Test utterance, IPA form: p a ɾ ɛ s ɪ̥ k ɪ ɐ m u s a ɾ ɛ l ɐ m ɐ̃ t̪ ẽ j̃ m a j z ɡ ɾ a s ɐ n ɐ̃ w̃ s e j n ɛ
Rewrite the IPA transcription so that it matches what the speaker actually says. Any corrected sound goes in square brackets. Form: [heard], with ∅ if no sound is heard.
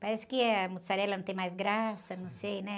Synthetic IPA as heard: p a ɾ ɛ s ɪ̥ k ɪ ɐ m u s a ɾ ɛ l ɐ [n] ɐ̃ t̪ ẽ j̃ m a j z ɡ ɾ a s ɐ n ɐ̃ w̃ s e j n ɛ